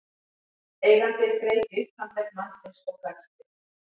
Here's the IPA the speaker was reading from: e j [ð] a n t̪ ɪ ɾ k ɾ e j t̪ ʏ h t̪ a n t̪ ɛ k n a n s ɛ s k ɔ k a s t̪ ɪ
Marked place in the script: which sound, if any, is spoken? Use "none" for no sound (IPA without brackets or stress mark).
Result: ɣ